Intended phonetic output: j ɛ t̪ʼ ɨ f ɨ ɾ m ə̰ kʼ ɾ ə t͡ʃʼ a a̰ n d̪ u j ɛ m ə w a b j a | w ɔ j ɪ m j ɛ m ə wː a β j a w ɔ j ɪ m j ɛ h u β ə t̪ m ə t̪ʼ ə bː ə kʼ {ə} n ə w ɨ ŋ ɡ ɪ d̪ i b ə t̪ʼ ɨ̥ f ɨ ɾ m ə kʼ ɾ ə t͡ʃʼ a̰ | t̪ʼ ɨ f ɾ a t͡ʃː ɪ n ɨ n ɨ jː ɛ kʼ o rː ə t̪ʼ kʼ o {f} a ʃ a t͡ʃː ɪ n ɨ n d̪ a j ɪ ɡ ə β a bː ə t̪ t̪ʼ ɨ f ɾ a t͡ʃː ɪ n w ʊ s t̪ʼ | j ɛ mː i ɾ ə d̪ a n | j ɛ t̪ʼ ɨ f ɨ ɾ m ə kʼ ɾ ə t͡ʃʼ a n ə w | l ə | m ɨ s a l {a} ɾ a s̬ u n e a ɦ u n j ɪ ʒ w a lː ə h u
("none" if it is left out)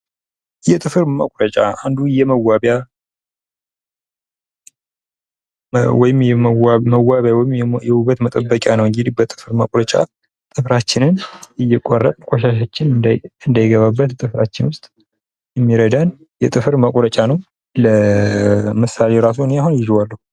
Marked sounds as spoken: a, ʃ, e

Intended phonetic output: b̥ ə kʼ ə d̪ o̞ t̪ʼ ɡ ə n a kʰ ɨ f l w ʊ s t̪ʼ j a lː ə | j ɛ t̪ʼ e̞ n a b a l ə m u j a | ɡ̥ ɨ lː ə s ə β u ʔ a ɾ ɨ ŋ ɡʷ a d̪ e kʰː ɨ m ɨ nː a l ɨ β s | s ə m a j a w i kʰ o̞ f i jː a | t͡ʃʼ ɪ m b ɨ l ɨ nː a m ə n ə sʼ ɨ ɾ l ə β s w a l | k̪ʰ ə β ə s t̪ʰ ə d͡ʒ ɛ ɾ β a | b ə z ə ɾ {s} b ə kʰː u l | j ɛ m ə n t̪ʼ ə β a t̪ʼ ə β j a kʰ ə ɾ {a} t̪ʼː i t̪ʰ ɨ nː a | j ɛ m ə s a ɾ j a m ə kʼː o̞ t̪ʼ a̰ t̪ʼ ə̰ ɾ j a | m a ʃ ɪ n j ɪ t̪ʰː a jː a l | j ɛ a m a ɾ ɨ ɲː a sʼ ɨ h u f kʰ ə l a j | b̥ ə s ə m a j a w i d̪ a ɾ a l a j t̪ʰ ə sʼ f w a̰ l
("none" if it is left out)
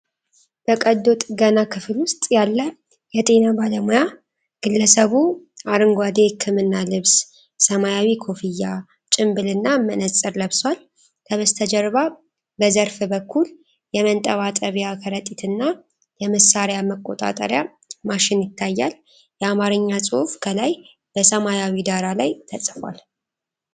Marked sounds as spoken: f, ə

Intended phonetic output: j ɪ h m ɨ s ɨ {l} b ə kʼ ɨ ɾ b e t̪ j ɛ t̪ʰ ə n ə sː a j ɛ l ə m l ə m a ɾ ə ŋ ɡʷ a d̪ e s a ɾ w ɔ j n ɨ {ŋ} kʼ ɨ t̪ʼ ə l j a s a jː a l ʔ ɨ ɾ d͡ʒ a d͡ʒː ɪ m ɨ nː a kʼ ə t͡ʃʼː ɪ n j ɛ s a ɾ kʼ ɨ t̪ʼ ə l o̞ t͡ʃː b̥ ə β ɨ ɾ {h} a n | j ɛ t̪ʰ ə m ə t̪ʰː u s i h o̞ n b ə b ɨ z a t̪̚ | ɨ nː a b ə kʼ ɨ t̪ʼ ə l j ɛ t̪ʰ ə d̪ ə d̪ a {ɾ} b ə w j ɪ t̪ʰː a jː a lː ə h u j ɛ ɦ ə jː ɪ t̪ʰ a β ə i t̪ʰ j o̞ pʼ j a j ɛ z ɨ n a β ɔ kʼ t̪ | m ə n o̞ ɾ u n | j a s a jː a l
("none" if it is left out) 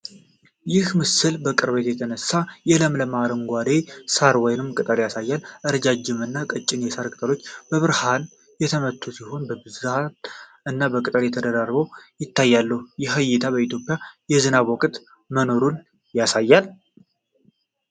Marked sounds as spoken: l, m, h, r

